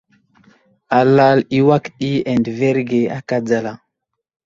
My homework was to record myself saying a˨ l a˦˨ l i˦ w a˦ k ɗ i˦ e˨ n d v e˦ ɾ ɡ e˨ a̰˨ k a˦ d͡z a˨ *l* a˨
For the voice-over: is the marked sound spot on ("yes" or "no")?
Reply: yes